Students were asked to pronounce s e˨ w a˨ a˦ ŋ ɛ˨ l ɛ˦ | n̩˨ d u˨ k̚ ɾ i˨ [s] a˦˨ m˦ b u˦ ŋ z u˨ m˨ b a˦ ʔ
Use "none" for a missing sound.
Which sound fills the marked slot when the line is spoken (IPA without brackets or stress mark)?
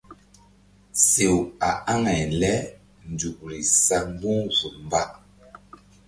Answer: s